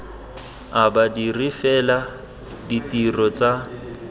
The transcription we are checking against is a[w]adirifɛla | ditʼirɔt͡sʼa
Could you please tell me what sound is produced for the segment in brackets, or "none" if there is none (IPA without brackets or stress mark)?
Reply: b